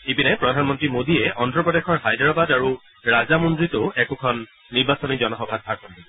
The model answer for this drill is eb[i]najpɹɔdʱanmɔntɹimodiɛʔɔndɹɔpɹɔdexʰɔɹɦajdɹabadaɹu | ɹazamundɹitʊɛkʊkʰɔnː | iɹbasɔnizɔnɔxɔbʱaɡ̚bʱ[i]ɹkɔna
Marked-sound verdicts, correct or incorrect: correct, incorrect: a

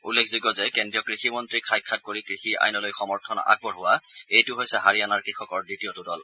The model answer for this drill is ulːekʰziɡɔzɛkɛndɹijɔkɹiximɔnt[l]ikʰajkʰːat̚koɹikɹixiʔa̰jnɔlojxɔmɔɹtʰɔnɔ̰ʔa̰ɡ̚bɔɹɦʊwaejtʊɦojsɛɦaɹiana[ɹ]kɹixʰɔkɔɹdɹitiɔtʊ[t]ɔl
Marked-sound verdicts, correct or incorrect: incorrect: ɹ, correct, incorrect: d

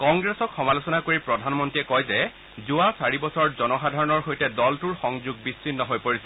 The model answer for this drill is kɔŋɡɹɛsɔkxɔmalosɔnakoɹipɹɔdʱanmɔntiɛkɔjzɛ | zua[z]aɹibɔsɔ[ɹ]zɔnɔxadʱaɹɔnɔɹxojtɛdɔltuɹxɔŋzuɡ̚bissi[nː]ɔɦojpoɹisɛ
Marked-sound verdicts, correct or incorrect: incorrect: s, correct, correct

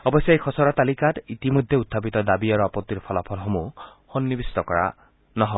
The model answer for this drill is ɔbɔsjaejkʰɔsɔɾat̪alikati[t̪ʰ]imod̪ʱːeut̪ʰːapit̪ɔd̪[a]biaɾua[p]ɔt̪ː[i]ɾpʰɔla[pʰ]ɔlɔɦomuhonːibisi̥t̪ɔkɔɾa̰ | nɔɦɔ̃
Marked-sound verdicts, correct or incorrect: incorrect: t̪, correct, correct, correct, correct

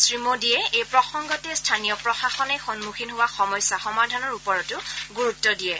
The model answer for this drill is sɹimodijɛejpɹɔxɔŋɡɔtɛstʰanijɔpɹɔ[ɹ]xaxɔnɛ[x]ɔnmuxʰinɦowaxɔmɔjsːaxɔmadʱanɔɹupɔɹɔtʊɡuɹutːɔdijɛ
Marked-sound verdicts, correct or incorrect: incorrect: none, correct

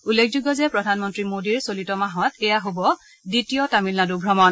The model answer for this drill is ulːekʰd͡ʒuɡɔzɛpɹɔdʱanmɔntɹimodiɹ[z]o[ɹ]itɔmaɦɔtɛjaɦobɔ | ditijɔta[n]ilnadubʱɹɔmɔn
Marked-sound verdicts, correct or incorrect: incorrect: s, incorrect: l, incorrect: m

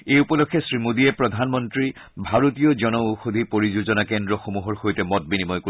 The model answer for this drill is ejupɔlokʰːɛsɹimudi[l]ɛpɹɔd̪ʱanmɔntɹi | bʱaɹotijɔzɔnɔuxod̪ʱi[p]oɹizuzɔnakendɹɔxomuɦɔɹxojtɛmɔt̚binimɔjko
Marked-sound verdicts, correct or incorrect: incorrect: none, correct

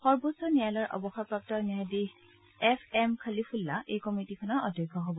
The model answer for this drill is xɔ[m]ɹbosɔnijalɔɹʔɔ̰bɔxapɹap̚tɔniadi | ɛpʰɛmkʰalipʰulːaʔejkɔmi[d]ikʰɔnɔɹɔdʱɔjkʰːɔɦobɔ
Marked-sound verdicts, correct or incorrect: incorrect: none, incorrect: t

